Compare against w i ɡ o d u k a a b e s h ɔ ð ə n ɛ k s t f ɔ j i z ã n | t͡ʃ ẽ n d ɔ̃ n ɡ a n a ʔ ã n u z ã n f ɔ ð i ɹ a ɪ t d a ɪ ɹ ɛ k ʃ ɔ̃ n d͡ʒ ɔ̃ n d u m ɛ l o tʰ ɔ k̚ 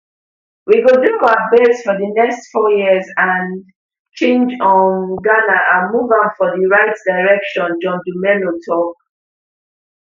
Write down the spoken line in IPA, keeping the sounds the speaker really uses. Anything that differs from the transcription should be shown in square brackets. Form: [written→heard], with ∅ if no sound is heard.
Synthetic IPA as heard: w i ɡ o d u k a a b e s [h→f] ɔ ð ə n ɛ k s t f ɔ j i z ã n | t͡ʃ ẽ n [d→d͡ʒ] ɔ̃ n ɡ a n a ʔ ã [n→m] u [z→v] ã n f ɔ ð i ɹ a ɪ t d a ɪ ɹ ɛ k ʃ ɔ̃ n d͡ʒ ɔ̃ n d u m ɛ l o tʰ ɔ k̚

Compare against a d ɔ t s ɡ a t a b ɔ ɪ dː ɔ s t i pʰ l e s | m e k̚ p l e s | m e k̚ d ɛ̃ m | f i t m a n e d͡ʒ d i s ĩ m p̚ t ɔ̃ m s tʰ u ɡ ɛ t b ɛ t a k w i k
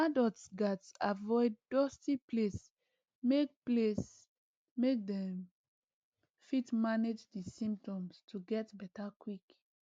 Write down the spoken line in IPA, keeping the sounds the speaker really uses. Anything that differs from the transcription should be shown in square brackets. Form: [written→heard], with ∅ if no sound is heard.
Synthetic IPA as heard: a d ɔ t s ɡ a t a [b→v] ɔ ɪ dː ɔ s t i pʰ l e s | m e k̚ p l e s | m e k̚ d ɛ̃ m | f i t m a n e d͡ʒ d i s ĩ m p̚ t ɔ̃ m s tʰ u ɡ ɛ t b ɛ t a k w i k

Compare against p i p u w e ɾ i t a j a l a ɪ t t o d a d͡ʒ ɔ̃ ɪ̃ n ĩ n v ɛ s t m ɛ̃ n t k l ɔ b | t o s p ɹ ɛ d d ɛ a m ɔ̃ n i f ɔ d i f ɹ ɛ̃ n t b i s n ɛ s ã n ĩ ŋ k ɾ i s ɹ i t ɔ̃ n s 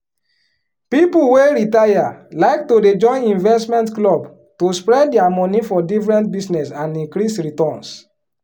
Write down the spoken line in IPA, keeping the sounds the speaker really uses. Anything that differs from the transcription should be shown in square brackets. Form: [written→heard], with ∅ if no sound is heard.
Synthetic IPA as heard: p i p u w e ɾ i t a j a l a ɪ [t→k] t o d [a→e] d͡ʒ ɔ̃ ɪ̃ n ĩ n v ɛ s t m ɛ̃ n t k l ɔ b | t o s p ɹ ɛ d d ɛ a m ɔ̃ n i f ɔ d i f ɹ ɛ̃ n t b i s n ɛ s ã n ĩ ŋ k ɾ i s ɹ i t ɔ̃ n s

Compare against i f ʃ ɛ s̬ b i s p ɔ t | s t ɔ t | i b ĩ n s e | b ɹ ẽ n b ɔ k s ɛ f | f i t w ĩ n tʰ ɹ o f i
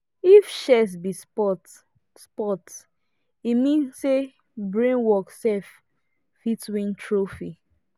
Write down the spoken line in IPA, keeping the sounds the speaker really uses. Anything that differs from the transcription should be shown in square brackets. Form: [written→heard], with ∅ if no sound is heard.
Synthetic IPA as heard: i f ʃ ɛ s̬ b i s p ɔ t | s [t→p] ɔ t | i [b→m] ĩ n s e | b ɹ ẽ n [b→w] ɔ k s ɛ f | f i t w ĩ n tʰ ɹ o f i

